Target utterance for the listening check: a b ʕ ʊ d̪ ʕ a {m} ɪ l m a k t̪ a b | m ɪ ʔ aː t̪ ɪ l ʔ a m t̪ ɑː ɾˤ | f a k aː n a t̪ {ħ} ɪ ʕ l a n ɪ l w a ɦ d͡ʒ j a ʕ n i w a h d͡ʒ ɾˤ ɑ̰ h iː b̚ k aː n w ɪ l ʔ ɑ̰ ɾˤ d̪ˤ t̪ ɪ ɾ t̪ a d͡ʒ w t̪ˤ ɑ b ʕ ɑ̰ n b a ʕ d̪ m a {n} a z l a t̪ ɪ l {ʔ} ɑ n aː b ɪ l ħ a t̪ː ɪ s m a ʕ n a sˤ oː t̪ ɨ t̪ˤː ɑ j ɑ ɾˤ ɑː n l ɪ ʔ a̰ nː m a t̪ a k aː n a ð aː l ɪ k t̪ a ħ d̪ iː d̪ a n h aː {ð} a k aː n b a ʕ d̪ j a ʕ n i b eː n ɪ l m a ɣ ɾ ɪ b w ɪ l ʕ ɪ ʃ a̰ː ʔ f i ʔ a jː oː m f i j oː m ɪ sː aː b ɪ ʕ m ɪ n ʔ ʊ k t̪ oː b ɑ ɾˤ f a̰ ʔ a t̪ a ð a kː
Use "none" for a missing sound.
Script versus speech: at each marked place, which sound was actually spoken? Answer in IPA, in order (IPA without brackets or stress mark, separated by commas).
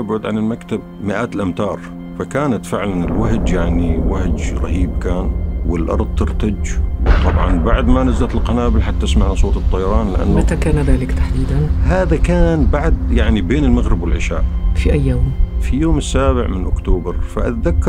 n, f, n, q, ð